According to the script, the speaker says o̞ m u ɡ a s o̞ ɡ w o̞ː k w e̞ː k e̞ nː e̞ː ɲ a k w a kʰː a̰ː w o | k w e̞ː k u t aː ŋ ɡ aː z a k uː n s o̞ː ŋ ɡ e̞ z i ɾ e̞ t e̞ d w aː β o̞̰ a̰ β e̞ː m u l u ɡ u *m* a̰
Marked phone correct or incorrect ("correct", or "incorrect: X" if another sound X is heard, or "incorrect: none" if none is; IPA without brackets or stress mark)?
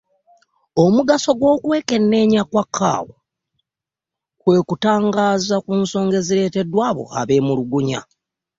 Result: incorrect: ɲ